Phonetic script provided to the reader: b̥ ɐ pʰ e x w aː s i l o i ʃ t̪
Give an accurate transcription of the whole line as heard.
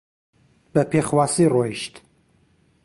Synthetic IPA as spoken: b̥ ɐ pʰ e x w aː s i r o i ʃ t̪